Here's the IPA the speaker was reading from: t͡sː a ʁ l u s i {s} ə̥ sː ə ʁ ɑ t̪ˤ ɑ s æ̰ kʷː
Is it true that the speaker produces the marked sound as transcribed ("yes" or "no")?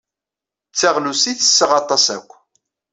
no